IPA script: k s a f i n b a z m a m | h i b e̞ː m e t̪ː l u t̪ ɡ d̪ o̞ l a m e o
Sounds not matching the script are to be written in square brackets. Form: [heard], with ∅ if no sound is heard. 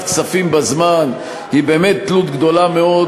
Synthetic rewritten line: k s a f i [m] b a z m a [n] | h i b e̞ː m e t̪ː l u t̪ ɡ d̪ o̞ l a m e o